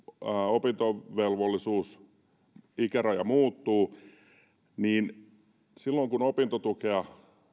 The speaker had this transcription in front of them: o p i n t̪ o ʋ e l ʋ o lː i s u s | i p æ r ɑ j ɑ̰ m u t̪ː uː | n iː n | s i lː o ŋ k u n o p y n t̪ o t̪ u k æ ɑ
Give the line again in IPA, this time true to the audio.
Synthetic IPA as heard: o p i n t̪ o ʋ e l ʋ o lː i s uː s | i k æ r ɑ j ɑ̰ m uː t̪ː uː | n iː n | s i lː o ŋ k u n o p i n t̪ o t̪ u k e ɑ